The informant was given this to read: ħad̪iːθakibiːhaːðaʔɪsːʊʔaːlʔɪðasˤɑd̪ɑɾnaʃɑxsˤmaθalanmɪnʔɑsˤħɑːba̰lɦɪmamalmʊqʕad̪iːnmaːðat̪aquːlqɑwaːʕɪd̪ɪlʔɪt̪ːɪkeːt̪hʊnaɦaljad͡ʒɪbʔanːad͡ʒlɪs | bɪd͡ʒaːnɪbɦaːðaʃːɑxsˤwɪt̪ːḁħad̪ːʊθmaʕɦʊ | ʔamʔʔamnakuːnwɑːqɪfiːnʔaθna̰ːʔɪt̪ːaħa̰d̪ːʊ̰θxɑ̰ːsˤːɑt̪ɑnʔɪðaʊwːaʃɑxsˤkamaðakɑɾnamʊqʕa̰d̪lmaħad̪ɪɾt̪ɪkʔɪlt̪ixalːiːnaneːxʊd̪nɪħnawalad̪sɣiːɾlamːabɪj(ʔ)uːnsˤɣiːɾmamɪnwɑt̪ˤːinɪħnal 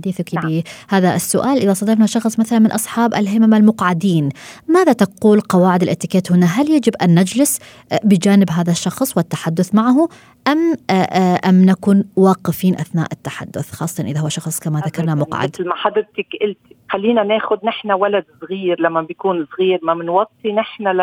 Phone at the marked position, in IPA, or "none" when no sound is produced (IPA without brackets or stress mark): k